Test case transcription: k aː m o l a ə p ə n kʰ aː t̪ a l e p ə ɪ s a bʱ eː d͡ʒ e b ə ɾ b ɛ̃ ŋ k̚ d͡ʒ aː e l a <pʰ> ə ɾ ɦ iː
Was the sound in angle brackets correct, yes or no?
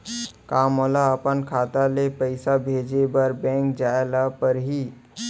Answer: no